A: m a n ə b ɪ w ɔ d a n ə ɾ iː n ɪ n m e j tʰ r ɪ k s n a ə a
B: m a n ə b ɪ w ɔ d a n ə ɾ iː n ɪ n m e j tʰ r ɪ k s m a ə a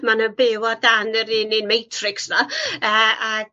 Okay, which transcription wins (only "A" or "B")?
A